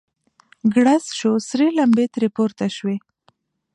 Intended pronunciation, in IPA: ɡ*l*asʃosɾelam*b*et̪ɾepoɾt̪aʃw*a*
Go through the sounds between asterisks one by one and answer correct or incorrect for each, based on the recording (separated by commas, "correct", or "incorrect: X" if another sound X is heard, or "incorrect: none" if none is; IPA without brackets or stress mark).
incorrect: ɽ, correct, incorrect: e